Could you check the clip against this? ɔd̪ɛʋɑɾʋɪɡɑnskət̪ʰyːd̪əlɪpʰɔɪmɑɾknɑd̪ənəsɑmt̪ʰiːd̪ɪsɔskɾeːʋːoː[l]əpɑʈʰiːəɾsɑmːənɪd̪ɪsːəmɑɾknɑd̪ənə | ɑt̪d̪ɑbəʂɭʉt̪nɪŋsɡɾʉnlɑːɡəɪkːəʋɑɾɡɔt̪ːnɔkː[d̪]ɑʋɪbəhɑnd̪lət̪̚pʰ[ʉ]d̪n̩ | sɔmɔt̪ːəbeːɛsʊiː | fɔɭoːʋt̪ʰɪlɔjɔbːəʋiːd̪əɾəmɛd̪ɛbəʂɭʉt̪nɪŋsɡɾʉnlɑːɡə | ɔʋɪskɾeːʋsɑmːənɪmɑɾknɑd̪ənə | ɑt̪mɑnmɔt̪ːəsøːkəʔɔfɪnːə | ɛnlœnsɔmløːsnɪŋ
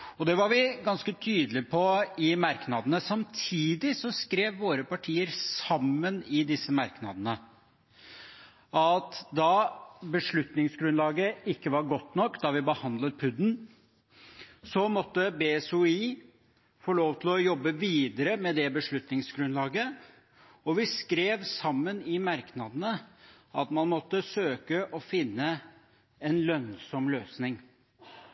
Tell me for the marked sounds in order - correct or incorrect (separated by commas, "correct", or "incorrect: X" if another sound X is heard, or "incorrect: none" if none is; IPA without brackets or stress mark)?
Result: incorrect: ɾ, correct, correct